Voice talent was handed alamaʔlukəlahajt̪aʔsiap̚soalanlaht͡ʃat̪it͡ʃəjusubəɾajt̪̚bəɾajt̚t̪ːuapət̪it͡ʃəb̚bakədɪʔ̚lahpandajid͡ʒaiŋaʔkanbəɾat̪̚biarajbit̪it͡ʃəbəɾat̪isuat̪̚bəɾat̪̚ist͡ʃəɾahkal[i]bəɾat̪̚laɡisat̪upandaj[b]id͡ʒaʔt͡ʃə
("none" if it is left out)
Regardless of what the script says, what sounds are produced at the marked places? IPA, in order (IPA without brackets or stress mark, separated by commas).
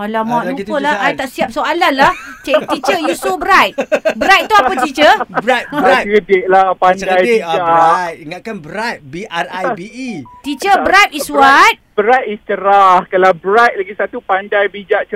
a, b